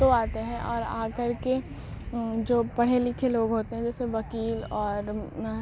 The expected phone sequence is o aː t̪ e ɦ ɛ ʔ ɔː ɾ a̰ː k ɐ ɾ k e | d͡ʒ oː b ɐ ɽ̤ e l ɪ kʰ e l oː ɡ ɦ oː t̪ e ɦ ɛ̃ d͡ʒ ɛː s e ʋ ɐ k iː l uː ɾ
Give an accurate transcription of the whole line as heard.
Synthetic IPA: o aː t̪ e ɦ ɛ̃ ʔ ɔː ɾ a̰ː k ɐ ɾ k e | d͡ʒ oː p ɐ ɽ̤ e l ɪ kʰ e l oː ɡ ɦ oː t̪ e ɦ ɛ̃ d͡ʒ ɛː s e ʋ ɐ k iː l ɔː ɾ